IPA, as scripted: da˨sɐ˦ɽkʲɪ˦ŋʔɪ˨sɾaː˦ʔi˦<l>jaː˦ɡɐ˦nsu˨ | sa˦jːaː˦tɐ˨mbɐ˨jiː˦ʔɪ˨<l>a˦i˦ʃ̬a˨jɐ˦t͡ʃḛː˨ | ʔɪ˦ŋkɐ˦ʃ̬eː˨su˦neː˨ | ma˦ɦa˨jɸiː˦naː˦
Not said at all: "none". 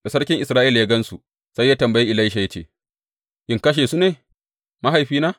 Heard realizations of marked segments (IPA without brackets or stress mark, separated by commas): l, l